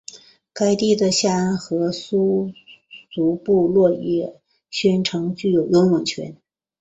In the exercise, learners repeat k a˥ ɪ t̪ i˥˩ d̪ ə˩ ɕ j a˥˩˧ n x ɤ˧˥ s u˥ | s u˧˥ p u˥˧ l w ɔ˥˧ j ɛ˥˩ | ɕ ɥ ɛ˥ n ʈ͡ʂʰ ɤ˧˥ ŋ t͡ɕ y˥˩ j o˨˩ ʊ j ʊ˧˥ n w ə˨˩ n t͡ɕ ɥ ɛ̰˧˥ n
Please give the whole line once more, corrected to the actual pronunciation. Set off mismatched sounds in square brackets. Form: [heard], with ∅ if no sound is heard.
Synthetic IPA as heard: k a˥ ɪ t̪ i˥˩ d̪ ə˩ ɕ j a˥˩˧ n x ɤ˧˥ s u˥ | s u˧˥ p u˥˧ l w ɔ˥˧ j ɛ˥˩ | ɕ ɥ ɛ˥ n ʈ͡ʂʰ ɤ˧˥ ŋ t͡ɕ y˥˩ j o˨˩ ʊ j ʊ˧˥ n w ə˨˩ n [t͡ɕʰ] ɥ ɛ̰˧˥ n